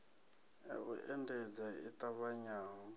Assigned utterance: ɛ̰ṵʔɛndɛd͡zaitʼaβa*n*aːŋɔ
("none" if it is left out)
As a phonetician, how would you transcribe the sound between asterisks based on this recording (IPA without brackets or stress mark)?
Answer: ɲ